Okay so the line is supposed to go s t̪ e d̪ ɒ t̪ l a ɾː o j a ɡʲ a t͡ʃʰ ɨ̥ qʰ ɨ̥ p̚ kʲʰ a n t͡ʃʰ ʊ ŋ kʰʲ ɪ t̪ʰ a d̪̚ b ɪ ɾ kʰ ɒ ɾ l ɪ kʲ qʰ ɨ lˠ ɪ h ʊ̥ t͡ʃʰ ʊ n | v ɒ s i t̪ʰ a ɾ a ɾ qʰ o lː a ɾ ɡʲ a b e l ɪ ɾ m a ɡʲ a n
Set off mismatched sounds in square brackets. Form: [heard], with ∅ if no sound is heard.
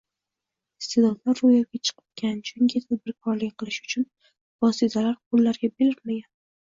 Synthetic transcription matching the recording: s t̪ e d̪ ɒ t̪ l a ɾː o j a ɡʲ a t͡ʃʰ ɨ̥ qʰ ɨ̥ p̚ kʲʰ a n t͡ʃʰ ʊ ŋ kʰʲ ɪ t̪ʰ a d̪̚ b ɪ ɾ kʰ ɒ ɾ l ɪ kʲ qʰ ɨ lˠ ɪ [ʃ] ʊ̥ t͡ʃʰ ʊ n | v ɒ s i t̪ʰ a [l] a ɾ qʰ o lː a ɾ ɡʲ a b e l ɪ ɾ m a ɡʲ a n